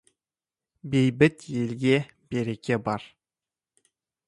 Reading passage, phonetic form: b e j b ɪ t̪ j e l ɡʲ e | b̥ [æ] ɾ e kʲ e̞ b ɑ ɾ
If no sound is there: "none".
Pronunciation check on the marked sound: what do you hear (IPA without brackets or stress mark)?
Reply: e